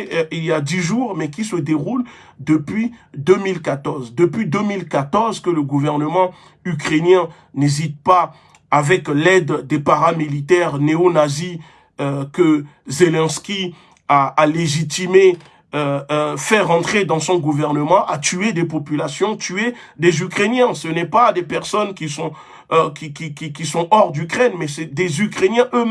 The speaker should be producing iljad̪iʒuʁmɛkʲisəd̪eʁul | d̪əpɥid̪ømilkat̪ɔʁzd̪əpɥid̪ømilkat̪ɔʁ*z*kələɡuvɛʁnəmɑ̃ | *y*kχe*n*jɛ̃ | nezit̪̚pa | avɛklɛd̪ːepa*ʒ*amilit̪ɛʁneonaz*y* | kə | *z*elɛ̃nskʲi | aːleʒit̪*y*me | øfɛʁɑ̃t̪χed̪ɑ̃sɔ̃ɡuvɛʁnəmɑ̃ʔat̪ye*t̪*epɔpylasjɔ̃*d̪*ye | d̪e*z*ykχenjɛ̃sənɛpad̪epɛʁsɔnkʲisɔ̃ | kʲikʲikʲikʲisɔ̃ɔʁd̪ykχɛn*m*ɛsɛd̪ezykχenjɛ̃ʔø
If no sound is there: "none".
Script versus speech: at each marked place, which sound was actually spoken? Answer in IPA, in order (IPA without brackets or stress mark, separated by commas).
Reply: z, y, n, ʁ, i, z, i, d̪, t̪, z, m